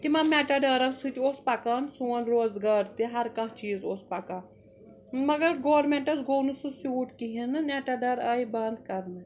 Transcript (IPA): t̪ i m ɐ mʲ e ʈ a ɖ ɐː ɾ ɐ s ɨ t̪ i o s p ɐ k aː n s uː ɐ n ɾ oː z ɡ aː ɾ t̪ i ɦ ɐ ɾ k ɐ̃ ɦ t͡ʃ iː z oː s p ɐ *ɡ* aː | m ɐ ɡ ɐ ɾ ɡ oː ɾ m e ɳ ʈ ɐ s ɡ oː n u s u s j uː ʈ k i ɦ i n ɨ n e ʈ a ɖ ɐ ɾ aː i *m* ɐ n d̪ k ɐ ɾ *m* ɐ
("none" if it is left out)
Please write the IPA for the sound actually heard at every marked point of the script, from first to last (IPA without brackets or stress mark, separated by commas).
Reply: k, b, n